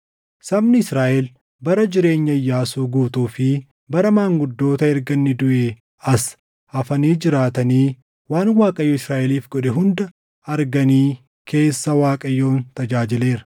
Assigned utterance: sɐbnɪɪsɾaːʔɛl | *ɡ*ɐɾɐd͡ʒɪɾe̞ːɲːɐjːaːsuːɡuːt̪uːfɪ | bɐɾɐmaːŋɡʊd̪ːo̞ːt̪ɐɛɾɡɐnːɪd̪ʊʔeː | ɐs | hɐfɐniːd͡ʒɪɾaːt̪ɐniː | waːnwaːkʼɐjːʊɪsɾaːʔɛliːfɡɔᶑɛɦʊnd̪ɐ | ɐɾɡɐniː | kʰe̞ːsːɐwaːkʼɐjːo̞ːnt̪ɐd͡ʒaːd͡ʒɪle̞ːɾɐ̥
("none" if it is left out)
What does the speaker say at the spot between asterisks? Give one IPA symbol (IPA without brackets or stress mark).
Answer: b